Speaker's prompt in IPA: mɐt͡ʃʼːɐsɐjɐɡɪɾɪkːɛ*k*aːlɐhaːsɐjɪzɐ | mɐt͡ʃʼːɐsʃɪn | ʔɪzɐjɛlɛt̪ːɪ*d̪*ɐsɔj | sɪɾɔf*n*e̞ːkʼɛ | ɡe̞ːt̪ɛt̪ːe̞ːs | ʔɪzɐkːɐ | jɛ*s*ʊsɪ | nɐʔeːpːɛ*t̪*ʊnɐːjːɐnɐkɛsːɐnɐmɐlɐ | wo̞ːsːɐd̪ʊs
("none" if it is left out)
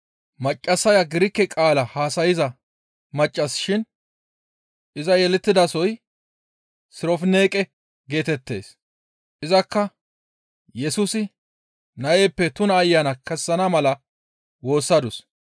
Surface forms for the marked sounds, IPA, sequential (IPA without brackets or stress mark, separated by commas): kʼ, d̪, n, s, t̪